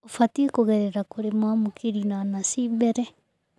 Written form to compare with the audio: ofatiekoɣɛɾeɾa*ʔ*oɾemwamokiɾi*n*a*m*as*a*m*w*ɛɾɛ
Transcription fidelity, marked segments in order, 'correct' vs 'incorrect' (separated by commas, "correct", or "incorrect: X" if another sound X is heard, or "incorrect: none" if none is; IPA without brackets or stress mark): incorrect: k, correct, incorrect: n, incorrect: i, incorrect: b